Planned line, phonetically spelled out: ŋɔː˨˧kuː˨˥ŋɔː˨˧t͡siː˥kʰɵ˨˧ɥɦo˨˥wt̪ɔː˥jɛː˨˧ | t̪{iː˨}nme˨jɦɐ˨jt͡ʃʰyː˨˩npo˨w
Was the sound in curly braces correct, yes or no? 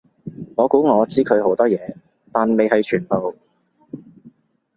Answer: no